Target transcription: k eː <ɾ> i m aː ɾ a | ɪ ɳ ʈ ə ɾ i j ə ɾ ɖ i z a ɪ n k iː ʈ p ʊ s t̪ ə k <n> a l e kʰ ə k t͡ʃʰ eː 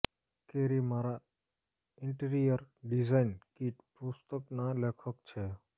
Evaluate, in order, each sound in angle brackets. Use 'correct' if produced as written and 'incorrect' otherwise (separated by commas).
correct, correct